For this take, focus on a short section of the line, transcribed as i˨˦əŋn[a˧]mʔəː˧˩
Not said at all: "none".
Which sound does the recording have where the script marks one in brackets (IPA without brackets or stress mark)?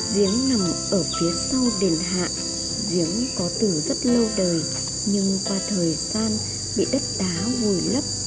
a˨˩